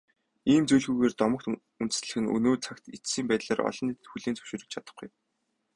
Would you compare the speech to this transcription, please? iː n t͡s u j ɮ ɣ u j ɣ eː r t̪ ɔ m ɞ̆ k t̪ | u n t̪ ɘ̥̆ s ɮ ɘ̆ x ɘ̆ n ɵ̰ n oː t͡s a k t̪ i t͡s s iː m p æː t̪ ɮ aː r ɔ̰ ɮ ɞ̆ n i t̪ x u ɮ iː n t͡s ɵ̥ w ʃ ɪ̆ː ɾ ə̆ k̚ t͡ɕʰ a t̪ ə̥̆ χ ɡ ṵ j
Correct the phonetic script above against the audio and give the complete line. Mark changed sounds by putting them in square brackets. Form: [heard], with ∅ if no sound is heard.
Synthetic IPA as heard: iː [m] t͡s u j ɮ ɣ u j ɣ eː r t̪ ɔ m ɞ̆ k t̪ | u n t̪ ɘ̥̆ s ɮ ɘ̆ x ɘ̆ n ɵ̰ n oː [t͡sʰ] a k t̪ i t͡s s iː m p æː t̪ ɮ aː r ɔ̰ ɮ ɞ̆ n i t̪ x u ɮ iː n t͡s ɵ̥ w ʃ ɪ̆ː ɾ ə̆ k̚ t͡ɕʰ a t̪ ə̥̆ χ ɡ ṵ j